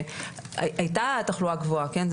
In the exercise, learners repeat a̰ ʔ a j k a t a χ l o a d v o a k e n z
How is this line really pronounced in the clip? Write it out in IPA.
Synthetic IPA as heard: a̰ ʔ a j t a t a χ l u a ɡ v o a k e n z